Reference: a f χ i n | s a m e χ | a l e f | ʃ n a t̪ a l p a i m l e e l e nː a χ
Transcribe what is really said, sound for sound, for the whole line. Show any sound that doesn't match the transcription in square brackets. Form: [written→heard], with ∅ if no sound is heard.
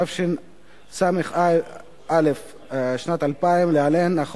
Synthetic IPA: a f [χ→ʃ] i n | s a m e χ | a l e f | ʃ n a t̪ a l p a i m l e [e→a] l e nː a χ